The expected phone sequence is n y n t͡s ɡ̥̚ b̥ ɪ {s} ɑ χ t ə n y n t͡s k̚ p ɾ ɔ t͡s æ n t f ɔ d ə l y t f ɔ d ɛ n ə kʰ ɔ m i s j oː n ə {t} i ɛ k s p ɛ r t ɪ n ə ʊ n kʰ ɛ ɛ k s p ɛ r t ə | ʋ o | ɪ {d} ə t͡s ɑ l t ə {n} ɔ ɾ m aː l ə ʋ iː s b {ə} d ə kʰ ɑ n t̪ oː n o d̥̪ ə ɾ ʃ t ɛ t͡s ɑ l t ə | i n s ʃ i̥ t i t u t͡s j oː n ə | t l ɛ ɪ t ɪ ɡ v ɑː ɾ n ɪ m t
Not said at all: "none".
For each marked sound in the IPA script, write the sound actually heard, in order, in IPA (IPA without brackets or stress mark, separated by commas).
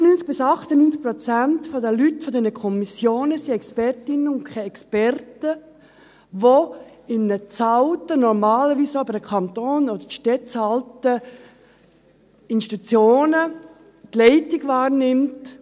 s, s, n, n, ə